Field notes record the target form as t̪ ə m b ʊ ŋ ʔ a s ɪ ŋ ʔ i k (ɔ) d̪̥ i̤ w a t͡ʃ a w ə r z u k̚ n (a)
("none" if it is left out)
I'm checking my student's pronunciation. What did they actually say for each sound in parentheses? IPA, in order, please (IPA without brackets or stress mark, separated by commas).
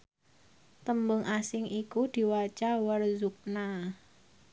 u, a